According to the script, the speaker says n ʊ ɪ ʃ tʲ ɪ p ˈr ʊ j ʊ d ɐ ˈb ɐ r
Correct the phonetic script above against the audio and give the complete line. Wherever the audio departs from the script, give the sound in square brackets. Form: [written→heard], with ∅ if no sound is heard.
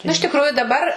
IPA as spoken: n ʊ ɪ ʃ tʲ ɪ [p→k] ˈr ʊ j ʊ d ɐ ˈb ɐ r